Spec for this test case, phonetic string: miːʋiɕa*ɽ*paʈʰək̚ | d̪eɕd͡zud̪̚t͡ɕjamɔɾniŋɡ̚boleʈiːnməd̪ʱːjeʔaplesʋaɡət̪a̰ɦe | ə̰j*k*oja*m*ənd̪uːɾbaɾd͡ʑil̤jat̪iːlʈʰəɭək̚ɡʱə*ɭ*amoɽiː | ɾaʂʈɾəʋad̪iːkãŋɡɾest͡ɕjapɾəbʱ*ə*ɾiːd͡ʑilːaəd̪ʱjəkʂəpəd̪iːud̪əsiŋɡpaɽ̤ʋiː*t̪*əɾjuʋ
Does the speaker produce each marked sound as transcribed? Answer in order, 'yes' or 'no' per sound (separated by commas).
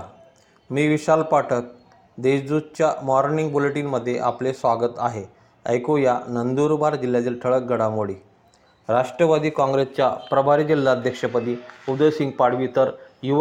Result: no, yes, no, no, no, yes